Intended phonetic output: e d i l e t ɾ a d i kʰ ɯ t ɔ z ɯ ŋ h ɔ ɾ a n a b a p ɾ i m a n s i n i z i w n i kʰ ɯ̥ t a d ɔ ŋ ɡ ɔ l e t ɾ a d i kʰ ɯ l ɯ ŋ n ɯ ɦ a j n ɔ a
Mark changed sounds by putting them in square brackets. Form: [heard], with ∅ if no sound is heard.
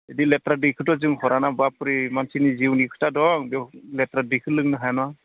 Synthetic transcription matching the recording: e d i l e t ɾ a d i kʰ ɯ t ɔ z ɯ ŋ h ɔ ɾ a n a b a p ɾ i m a n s i n i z i w n i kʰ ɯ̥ t a d ɔ ŋ [b] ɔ l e t ɾ a d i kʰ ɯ l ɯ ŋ n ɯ ɦ a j n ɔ a